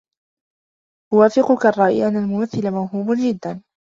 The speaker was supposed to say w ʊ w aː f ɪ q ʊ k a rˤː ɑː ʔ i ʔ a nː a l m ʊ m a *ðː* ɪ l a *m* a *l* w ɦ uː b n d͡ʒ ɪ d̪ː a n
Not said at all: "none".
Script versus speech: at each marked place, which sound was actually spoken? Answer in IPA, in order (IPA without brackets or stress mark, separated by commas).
θː, m, none